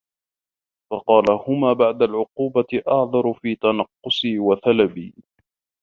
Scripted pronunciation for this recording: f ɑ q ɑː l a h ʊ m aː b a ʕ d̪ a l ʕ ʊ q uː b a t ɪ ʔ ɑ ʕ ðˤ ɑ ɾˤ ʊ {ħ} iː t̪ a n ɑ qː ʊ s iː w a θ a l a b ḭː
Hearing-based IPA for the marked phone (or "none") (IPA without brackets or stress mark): f